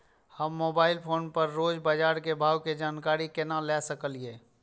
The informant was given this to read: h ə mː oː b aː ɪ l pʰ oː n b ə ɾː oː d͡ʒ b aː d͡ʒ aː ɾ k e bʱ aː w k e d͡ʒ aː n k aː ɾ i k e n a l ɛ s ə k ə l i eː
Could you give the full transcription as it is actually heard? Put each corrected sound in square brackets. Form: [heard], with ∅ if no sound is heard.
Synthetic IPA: h ə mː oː b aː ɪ l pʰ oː n [p] ə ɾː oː d͡ʒ b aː d͡ʒ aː ɾ k e bʱ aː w k e d͡ʒ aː n k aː ɾ i k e n a l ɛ s ə k ə l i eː